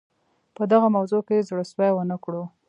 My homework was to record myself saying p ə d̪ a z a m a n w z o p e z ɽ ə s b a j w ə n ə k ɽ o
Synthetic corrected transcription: p ə d̪ a ɣ a m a w z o k e z ɽ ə s w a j w ə n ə k ɽ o